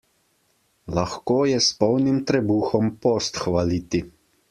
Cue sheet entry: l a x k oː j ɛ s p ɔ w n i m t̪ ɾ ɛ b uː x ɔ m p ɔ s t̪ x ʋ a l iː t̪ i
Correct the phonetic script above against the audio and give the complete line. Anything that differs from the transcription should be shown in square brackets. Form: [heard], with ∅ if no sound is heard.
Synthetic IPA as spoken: l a x k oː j ɛ s p ɔ w n i m t̪ ɾ ɛ b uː x ɔ m p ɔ s t̪ x ʋ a l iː t̪ i